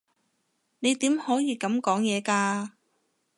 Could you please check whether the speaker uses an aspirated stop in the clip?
no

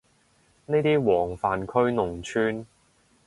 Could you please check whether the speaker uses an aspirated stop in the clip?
yes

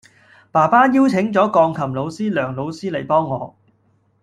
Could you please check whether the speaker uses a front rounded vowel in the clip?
yes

